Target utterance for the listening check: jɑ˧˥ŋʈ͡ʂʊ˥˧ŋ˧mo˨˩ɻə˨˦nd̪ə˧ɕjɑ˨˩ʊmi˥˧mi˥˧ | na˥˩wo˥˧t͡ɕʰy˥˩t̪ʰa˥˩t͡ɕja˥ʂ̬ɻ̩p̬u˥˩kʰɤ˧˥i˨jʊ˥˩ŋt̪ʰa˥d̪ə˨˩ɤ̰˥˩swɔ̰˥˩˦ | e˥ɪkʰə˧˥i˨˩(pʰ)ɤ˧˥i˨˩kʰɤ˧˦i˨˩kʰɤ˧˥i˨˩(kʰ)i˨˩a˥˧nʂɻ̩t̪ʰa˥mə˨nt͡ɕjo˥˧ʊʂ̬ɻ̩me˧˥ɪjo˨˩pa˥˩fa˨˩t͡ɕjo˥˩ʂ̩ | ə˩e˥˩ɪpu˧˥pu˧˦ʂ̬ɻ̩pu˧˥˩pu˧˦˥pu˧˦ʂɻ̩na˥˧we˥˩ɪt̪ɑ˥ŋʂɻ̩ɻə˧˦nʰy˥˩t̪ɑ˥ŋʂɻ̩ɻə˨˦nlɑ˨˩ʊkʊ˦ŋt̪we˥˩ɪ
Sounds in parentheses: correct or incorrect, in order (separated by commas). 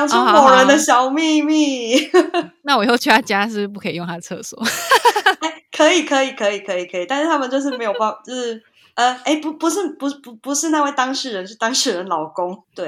incorrect, correct